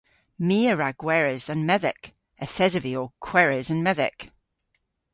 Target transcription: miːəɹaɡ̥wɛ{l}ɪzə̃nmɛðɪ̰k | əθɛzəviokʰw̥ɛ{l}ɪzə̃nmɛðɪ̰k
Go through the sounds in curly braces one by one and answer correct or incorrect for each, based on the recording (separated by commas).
incorrect, incorrect